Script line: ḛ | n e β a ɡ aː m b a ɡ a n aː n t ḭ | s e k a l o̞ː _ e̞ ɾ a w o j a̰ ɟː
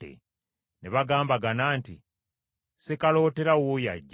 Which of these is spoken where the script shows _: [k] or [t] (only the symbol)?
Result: t